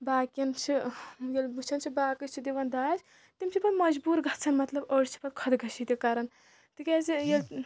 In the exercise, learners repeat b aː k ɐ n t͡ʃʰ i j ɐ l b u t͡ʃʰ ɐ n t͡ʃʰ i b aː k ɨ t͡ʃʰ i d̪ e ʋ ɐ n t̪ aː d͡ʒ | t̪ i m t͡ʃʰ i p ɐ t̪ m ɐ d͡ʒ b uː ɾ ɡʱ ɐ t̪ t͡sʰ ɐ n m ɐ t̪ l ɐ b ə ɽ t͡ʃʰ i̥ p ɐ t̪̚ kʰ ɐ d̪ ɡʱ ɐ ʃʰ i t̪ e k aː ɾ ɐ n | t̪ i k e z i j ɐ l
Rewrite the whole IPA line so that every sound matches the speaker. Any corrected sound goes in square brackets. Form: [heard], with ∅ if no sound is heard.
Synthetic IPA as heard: b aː k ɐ n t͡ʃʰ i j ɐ l b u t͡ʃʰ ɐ n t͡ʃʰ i b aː k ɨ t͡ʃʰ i d̪ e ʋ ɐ n [d̪] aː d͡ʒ | t̪ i m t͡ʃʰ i p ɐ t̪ m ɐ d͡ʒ b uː ɾ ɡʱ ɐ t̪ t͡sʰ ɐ n m ɐ t̪ l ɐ b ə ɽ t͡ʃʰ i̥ p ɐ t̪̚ kʰ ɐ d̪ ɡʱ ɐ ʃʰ i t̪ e k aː ɾ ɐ n | t̪ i k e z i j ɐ l